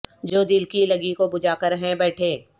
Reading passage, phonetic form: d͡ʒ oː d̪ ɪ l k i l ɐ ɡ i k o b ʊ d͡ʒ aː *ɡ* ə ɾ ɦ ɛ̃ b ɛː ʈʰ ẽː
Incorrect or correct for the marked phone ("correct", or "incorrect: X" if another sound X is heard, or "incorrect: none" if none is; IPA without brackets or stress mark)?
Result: incorrect: k